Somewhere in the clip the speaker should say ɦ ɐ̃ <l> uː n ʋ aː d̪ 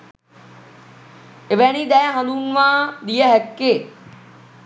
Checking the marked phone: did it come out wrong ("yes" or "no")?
no